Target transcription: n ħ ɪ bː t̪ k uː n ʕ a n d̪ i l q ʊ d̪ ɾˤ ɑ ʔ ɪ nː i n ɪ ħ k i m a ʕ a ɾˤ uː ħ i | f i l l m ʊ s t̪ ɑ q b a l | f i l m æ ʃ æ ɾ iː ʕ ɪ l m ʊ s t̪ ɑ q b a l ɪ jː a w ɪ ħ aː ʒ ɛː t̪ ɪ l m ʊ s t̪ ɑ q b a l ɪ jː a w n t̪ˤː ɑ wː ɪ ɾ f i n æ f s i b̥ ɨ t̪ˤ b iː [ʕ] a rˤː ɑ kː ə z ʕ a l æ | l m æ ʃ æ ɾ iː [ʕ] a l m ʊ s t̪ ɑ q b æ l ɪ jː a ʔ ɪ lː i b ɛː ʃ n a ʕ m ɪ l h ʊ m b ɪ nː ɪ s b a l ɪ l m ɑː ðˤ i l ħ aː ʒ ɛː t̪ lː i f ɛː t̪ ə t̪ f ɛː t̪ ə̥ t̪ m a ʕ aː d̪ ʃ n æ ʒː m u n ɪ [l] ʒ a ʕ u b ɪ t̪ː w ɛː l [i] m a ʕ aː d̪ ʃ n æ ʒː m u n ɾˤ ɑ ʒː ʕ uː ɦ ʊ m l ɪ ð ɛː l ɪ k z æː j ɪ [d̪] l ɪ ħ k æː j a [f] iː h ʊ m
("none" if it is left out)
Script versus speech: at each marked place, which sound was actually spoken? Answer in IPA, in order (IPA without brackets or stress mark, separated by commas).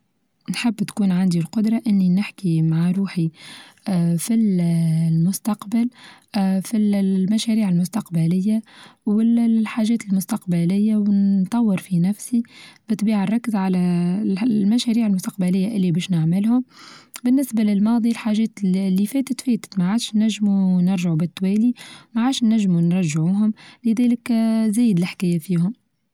ʕ, ʕ, ɾ, i, d̪, f